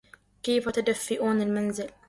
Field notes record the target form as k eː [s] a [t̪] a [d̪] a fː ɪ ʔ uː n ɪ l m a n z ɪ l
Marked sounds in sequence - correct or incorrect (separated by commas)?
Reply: incorrect, correct, correct